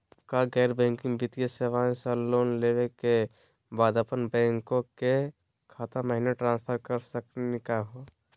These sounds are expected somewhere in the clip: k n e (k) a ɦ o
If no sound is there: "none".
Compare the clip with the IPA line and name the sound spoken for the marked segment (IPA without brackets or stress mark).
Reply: k